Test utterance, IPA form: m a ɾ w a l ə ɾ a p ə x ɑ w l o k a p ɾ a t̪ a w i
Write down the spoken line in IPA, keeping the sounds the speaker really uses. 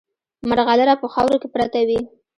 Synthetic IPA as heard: m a ɾ ɣ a l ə ɾ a p ə x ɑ w ɾ o k e p ɾ a t̪ a w i